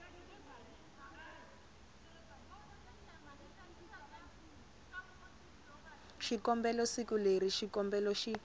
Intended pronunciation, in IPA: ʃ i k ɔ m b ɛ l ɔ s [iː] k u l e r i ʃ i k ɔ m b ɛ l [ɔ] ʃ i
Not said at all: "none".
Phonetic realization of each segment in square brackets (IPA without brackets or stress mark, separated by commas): i, ɔ